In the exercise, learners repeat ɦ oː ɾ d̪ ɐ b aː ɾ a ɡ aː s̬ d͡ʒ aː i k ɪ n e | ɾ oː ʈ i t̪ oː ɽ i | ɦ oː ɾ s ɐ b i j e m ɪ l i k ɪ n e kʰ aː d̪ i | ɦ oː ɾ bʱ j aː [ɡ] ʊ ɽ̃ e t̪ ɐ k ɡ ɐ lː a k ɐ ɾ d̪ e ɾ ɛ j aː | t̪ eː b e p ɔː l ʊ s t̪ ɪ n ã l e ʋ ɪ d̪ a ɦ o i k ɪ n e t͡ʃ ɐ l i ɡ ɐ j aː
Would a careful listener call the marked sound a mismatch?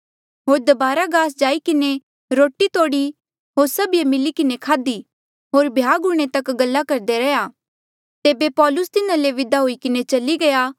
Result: no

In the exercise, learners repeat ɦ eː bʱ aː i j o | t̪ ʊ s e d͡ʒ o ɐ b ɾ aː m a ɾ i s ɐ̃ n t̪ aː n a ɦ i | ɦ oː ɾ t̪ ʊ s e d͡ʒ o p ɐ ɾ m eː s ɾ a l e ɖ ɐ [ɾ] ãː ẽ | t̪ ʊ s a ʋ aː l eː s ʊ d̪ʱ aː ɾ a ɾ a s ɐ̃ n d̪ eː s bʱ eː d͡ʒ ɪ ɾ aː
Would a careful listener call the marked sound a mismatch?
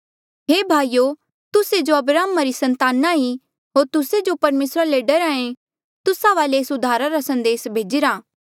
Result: no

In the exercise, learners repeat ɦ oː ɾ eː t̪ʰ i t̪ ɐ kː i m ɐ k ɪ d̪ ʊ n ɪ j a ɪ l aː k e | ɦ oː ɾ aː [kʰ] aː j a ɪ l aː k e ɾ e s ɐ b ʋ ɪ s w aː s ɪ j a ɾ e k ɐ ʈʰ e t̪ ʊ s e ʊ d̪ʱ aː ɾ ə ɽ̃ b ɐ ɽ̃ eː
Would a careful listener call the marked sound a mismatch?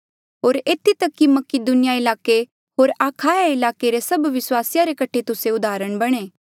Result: no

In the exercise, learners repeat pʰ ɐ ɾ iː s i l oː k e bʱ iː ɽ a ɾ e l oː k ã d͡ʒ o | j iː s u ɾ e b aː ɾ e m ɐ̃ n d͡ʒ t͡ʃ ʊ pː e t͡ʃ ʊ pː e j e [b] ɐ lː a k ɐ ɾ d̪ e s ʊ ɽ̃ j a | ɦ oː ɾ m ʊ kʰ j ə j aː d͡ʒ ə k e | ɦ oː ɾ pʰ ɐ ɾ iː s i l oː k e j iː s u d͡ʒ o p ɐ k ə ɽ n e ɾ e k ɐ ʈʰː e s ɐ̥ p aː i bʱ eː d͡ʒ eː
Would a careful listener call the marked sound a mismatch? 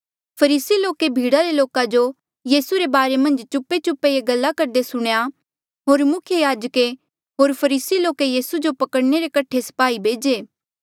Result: yes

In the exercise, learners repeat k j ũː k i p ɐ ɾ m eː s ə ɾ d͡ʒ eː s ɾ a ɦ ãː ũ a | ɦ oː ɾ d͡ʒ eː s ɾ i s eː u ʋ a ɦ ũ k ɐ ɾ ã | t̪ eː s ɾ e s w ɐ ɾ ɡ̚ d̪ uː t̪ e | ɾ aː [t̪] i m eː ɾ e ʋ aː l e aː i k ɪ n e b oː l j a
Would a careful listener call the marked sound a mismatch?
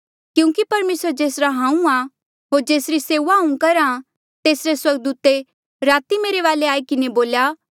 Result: no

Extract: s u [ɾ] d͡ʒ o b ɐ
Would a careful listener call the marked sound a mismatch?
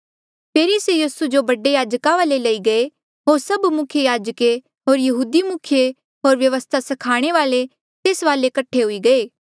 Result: yes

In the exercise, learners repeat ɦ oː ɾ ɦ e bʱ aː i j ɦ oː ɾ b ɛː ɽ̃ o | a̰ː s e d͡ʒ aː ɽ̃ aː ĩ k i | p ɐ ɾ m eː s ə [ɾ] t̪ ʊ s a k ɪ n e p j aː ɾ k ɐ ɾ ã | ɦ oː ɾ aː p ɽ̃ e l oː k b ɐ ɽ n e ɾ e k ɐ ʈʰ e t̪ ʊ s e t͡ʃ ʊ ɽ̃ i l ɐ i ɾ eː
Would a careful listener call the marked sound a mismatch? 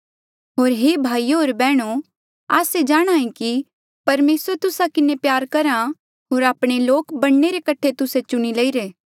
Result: no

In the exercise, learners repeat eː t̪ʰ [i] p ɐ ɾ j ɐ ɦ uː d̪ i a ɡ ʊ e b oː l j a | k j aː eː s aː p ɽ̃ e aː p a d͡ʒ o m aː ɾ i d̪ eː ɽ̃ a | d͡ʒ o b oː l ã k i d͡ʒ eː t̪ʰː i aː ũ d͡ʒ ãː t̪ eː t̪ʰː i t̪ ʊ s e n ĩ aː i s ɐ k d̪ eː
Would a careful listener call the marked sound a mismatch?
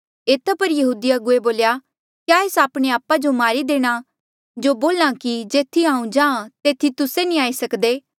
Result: yes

